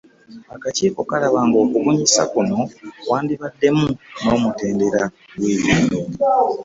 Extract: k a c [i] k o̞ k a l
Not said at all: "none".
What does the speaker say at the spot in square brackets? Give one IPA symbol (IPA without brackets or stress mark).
iː